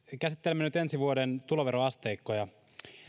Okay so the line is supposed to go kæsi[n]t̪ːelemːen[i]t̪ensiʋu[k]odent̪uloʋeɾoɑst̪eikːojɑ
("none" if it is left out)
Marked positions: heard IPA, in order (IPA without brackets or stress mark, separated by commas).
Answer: none, y, none